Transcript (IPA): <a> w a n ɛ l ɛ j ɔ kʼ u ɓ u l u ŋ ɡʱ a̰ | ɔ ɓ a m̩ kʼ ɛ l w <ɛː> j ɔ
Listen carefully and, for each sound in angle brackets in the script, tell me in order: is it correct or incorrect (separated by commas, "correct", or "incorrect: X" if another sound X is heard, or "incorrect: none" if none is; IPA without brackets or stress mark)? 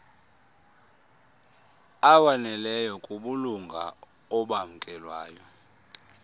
correct, incorrect: aː